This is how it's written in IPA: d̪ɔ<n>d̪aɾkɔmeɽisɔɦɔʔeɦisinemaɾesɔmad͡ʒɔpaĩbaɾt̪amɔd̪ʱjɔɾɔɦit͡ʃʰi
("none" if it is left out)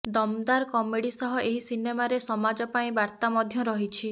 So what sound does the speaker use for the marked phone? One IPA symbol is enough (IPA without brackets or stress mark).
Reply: m